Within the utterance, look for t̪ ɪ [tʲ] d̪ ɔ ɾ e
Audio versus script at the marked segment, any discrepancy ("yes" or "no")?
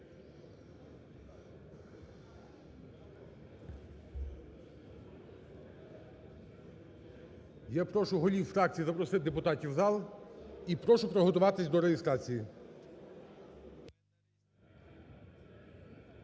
yes